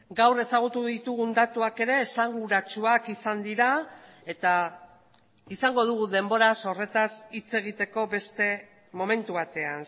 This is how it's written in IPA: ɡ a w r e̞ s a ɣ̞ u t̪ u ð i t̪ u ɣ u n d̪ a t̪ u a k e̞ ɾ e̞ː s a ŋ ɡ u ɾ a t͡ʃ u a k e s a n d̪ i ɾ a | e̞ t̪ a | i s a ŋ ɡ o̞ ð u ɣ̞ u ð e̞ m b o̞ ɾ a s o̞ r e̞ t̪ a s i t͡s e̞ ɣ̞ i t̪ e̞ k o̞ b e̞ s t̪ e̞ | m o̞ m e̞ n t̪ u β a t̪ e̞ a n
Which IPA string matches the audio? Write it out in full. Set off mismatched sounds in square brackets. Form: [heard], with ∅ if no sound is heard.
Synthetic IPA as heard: ɡ a w r e̞ s a ɣ̞ u t̪ u ð i t̪ u ɣ u n d̪ a t̪ u a k e̞ ɾ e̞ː s a ŋ ɡ u ɾ a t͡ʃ u a k [i] s a n d̪ i ɾ a | e̞ t̪ a | i s a ŋ ɡ o̞ ð u ɣ̞ u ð e̞ m b o̞ ɾ a s o̞ r e̞ t̪ a s i t͡s e̞ ɣ̞ i t̪ e̞ k o̞ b e̞ s t̪ e̞ | m o̞ m e̞ n t̪ u β a t̪ e̞ a n

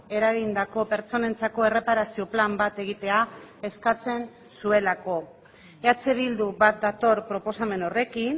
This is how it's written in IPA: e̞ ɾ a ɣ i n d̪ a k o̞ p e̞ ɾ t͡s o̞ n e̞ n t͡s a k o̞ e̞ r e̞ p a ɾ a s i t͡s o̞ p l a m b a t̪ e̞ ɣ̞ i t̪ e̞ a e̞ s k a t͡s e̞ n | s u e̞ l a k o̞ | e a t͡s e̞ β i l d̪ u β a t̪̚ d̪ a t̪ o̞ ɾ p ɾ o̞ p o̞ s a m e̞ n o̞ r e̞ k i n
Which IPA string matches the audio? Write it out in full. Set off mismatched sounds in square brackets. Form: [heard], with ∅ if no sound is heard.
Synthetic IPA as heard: e̞ ɾ a ɣ i n d̪ a k o̞ p e̞ ɾ t͡s o̞ n e̞ n t͡s a k o̞ e̞ r e̞ p a ɾ a s i [∅] o̞ p l a m b a t̪ e̞ ɣ̞ i t̪ e̞ a e̞ s k a t͡s e̞ n | s u e̞ l a k o̞ | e a t͡s e̞ β i l d̪ u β a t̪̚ d̪ a t̪ o̞ ɾ p ɾ o̞ p o̞ s a m e̞ n o̞ r e̞ k i n

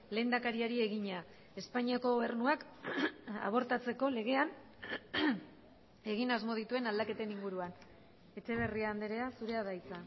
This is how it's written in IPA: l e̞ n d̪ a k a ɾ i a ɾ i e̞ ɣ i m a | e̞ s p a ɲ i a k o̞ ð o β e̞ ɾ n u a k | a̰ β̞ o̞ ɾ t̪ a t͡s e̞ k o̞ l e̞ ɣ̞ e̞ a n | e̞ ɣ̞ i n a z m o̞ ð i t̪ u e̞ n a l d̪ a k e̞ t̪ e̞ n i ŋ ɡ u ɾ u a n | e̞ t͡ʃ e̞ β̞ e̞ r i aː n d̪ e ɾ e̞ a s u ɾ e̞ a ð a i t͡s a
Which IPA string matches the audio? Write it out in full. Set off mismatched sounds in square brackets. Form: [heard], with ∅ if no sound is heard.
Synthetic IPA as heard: l e̞ n d̪ a k a ɾ i a ɾ i e̞ ɣ i [ɲ] a | e̞ s p a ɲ i a k o̞ [ɣ] o β e̞ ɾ n u a k | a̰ β̞ o̞ ɾ t̪ a t͡s e̞ k o̞ l e̞ ɣ̞ e̞ a n | e̞ ɣ̞ i n a z m o̞ ð i t̪ u e̞ n a l d̪ a k e̞ t̪ e̞ n i ŋ ɡ u ɾ u a n | e̞ t͡ʃ e̞ β̞ e̞ r i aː n d̪ e ɾ e̞ a s u ɾ e̞ a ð a [j] t͡s a

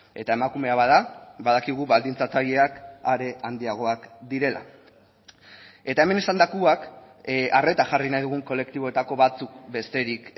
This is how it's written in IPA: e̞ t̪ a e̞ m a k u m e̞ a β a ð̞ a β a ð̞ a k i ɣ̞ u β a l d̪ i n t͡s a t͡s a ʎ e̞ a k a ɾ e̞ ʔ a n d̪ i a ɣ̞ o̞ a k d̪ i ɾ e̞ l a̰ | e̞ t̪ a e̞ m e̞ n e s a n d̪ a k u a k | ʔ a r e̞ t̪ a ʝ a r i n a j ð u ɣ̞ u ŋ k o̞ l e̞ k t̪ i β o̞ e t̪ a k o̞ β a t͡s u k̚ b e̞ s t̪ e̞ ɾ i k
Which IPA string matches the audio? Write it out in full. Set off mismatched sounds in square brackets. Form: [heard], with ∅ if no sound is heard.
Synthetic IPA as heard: e̞ t̪ a e̞ m a k u m e̞ a β a ð̞ a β a ð̞ a k i ɣ̞ u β a l d̪ i n t͡s a t͡s a ʎ e̞ a k a ɾ e̞ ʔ a n d̪ i a ɣ̞ o̞ a k d̪ i ɾ e̞ l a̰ | e̞ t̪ a e̞ m e̞ n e s a n d̪ a k u a k | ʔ a r e̞ t̪ a ʝ a r i n a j ð u ɣ̞ u ŋ k o̞ l e̞ k t̪ i β o̞ e t̪ a k o̞ β a t͡s u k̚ b e̞ s t̪ e̞ ɾ i k

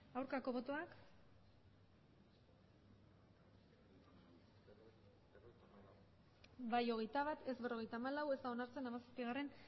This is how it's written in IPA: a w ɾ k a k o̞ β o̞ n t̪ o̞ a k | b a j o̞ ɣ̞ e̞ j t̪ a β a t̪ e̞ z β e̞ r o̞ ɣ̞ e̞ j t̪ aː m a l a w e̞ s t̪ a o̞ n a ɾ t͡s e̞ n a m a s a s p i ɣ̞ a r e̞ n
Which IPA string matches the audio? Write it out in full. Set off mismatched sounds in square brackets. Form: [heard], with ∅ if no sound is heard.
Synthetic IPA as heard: a w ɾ k a k o̞ β o̞ [∅] t̪ o̞ a k | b a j o̞ ɣ̞ e̞ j t̪ a β a t̪ e̞ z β e̞ r o̞ ɣ̞ e̞ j t̪ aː m a l a w e̞ s t̪ a o̞ n a ɾ t͡s e̞ n a m a s a s p i ɣ̞ a r e̞ n

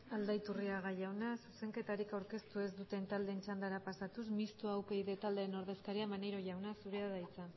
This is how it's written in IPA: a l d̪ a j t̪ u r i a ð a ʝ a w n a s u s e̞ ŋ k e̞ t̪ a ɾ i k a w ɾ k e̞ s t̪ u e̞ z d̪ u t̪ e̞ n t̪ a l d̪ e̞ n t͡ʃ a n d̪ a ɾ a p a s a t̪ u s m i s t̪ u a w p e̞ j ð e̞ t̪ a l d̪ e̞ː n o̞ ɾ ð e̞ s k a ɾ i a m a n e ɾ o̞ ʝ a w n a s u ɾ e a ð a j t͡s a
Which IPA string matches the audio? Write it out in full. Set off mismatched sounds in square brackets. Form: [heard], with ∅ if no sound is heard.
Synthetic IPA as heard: a l d̪ a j t̪ u r i a [ɣ] a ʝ a w n a s u s e̞ ŋ k e̞ t̪ a ɾ i k a w ɾ k e̞ s t̪ u e̞ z d̪ u t̪ e̞ n t̪ a l d̪ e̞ n t͡ʃ a n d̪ a ɾ a p a s a t̪ u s m i s t̪ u a w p e̞ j ð e̞ t̪ a l d̪ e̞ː n o̞ ɾ ð e̞ s k a ɾ i a m a n e ɾ o̞ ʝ a w n a s u ɾ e a ð a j t͡s a

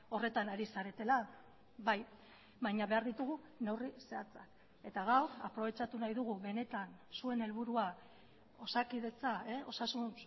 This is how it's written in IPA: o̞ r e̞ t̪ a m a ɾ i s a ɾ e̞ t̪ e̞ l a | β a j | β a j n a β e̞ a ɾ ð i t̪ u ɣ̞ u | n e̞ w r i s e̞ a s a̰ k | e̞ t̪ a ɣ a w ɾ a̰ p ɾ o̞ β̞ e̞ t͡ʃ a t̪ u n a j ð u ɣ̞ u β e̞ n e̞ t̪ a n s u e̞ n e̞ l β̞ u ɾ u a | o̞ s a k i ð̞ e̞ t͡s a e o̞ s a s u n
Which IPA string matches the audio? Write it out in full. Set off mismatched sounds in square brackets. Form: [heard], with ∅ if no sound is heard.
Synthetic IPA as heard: o̞ r e̞ t̪ a [n] a ɾ i s a ɾ e̞ t̪ e̞ l a | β a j | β a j [ɲ] a β e̞ a ɾ ð i t̪ u ɣ̞ u | n e̞ w r i s e̞ a [t͡s] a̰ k | e̞ t̪ a ɣ a w ɾ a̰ p ɾ o̞ β̞ e̞ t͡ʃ a t̪ u n a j ð u ɣ̞ u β e̞ n e̞ t̪ a n s u e̞ n e̞ l β̞ u ɾ u a | o̞ s a k i ð̞ e̞ t͡s a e o̞ s a s u n

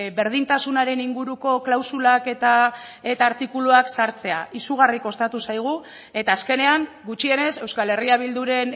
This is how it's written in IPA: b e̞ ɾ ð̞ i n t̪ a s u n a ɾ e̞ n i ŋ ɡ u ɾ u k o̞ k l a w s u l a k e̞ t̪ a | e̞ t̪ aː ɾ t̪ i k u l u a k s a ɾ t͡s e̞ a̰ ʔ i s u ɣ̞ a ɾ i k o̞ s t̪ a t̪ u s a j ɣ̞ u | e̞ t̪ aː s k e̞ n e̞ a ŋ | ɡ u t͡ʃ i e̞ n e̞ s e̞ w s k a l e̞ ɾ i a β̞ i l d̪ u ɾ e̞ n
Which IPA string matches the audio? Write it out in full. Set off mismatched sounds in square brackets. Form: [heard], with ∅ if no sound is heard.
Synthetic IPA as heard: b e̞ ɾ ð̞ i n t̪ a s u n a ɾ e̞ n i ŋ ɡ u ɾ u k o̞ k l a w s u l a k e̞ t̪ a | e̞ t̪ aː ɾ t̪ i k u l u a k s a ɾ t͡s e̞ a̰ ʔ i s u ɣ̞ a [r] i k o̞ s t̪ a t̪ u s a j ɣ̞ u | e̞ t̪ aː s k e̞ n e̞ a ŋ | ɡ u t͡ʃ i e̞ n e̞ s e̞ w s k a l e̞ [r] i a β̞ i l d̪ u ɾ e̞ n

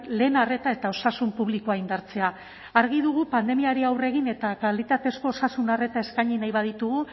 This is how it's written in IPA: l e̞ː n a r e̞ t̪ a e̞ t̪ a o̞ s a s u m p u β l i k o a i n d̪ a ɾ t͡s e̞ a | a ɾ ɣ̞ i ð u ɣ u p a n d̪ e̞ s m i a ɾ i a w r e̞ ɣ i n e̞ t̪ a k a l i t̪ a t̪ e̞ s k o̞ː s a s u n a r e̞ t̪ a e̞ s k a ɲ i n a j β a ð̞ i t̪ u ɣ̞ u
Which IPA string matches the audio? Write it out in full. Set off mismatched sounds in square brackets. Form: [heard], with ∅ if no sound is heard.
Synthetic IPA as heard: l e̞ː n a r e̞ t̪ a e̞ t̪ a o̞ s a s u m p u β l i k o a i n d̪ a ɾ t͡s e̞ a | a ɾ ɣ̞ i ð u ɣ u p a n d̪ e̞ [∅] m i a ɾ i a w r e̞ ɣ i n e̞ t̪ a k a l i t̪ a t̪ e̞ s k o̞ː s a s u n a r e̞ t̪ a e̞ s k a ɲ i n a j β a ð̞ i t̪ u ɣ̞ u

